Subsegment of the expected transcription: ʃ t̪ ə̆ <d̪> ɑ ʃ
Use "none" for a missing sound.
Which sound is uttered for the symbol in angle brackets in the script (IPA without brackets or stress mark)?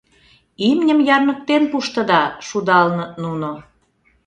d̪